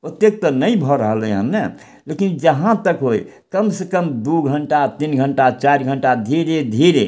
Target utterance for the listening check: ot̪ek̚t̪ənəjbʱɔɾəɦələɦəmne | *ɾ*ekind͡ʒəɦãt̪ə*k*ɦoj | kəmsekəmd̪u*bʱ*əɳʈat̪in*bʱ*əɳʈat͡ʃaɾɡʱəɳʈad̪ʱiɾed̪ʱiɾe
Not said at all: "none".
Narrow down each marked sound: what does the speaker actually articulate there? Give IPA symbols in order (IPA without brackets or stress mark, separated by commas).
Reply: l, k, ɡʱ, ɡʱ